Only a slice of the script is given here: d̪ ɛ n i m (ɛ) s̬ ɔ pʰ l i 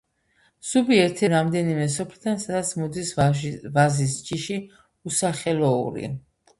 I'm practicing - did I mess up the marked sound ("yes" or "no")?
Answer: no